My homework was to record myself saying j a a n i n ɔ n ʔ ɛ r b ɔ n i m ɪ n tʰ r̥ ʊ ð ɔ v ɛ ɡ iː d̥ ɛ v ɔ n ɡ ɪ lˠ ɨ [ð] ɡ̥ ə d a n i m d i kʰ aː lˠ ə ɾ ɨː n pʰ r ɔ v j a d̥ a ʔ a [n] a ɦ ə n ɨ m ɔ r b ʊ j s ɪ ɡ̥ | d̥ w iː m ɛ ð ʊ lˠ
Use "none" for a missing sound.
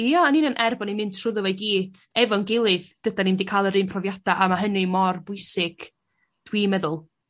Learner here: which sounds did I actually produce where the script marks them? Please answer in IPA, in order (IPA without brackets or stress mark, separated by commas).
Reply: ð, m